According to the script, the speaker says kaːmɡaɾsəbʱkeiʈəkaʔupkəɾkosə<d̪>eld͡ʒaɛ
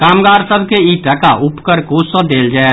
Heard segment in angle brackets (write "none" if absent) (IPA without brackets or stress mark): d̪